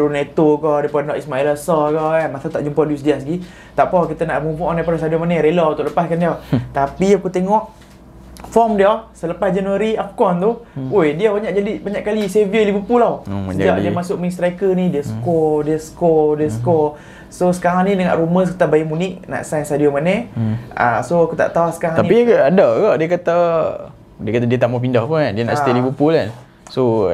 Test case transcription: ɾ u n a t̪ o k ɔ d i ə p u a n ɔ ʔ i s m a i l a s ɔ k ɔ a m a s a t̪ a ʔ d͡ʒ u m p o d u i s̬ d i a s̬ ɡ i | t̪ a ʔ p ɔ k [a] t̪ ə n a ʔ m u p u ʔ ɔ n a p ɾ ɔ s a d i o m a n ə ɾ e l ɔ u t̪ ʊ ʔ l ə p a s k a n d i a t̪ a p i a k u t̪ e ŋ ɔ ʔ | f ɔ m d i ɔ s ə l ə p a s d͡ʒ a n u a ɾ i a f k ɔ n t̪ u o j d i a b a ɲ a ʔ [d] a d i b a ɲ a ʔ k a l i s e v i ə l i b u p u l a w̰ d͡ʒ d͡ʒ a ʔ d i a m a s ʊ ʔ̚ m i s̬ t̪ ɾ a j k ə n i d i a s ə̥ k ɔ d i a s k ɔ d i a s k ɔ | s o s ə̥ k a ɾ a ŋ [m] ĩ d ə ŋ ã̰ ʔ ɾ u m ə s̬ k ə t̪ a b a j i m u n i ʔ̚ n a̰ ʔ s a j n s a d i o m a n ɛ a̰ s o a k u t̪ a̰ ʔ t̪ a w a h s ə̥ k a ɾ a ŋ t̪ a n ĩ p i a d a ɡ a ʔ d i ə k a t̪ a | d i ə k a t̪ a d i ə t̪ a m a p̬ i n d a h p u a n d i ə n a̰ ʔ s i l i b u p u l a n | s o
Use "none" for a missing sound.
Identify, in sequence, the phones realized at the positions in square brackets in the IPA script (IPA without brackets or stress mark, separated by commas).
i, d͡ʒ, n